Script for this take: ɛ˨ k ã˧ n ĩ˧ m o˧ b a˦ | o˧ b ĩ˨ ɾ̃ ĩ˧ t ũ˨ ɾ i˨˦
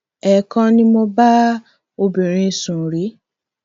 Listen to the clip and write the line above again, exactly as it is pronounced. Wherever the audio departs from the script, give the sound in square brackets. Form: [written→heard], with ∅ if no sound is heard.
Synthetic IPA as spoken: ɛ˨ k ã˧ n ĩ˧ m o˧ b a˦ | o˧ b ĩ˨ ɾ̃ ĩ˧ [t→s] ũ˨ ɾ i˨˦